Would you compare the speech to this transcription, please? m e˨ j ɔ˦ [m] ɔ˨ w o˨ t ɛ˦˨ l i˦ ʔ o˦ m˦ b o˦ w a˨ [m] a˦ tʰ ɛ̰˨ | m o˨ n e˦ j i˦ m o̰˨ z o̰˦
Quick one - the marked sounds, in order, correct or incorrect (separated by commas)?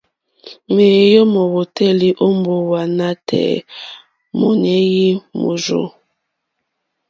correct, incorrect